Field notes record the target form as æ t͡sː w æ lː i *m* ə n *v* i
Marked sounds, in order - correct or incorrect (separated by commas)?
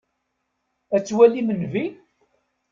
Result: correct, correct